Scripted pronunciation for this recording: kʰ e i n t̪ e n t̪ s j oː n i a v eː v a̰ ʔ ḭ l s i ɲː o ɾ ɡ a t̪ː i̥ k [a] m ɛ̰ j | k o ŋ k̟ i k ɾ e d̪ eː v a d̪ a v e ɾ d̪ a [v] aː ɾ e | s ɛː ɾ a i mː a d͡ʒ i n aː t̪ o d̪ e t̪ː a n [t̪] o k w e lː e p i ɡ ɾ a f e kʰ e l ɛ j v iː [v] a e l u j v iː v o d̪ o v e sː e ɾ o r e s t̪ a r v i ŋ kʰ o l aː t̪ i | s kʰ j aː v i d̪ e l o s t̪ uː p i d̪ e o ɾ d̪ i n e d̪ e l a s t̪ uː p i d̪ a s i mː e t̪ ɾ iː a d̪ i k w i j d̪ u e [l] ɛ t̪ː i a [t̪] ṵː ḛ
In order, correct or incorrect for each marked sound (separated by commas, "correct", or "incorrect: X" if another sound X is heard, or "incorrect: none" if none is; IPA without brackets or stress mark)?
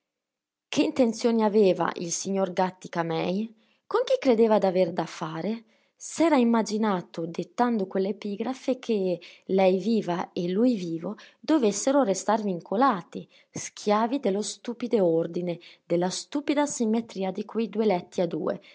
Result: correct, incorrect: f, incorrect: d̪, correct, correct, incorrect: d̪